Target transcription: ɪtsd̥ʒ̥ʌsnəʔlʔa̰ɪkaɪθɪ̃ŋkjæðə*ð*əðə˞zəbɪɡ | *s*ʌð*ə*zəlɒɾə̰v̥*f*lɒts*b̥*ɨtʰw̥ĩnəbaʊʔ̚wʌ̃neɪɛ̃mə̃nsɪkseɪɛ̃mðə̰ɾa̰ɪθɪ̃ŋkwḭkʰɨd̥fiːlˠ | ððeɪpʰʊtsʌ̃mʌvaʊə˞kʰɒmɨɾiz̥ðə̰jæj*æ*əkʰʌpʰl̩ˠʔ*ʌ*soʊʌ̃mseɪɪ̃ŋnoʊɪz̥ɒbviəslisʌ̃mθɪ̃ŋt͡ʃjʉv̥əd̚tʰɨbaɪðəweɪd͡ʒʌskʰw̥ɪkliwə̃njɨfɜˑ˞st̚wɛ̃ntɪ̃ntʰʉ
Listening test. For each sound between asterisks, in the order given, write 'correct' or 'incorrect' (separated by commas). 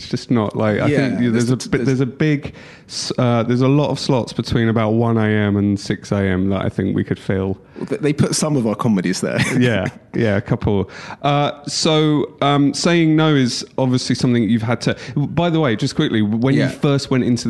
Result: incorrect, correct, correct, incorrect, correct, correct, correct